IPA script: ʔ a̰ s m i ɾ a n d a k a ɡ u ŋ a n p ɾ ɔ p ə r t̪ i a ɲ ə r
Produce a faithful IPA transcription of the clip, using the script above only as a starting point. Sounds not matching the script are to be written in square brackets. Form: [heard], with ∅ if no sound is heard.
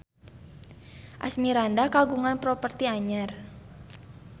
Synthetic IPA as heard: ʔ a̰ s m i ɾ a n d a k a ɡ u ŋ a n p ɾ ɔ p ə r t̪ i a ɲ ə r